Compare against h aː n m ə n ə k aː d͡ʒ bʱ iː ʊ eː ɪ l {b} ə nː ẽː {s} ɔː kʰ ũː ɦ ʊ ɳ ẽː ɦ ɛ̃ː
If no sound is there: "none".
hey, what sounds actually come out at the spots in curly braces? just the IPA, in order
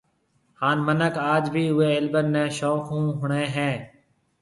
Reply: b, ʃ

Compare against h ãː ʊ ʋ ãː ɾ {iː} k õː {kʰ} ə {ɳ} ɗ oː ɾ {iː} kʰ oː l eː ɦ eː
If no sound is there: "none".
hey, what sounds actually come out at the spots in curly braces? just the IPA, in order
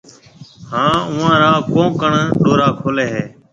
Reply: aː, k, ɳ, aː

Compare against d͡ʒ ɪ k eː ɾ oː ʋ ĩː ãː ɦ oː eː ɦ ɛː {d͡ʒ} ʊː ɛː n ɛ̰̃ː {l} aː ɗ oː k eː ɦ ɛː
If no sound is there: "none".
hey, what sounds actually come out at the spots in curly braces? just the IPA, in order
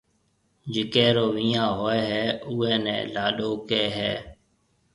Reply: none, l

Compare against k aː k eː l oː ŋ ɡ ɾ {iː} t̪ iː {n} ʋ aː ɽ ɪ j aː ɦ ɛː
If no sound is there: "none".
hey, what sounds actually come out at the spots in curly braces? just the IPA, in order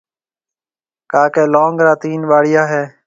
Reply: aː, n

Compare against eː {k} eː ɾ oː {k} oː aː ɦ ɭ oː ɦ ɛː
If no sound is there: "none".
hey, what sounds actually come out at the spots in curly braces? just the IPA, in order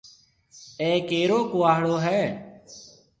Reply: k, k

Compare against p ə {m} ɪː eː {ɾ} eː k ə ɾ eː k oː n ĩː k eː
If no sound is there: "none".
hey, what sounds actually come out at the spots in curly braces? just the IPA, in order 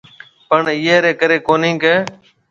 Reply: ɳ, ɾ

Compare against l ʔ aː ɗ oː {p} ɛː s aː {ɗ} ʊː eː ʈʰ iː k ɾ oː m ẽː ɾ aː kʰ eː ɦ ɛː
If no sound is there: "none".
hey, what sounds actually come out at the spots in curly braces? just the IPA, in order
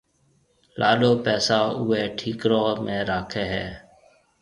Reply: p, none

